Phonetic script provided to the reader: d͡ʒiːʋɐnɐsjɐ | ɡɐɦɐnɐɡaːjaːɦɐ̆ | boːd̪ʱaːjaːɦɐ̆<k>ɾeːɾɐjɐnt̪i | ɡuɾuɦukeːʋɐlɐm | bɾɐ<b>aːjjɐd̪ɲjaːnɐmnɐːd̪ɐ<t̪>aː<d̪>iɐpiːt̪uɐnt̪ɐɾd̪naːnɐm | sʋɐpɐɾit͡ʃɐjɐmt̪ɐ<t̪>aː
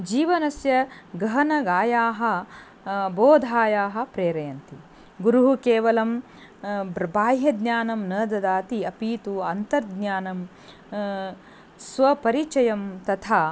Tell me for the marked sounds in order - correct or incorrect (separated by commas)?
incorrect, correct, incorrect, incorrect, incorrect